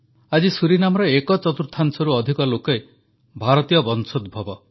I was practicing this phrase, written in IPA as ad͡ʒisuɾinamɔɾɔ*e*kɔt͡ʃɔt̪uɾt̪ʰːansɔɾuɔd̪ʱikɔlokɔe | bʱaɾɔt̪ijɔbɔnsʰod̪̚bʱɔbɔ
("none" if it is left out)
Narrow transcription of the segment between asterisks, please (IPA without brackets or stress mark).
e